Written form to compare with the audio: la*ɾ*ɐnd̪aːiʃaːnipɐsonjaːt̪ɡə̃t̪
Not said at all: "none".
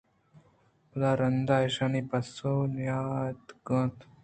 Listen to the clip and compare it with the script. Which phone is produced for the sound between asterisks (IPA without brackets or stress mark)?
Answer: ɾ